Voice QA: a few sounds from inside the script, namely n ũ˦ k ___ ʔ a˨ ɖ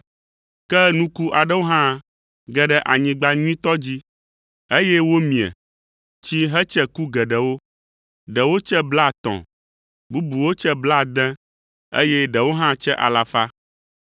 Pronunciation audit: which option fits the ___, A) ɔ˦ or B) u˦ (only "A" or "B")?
B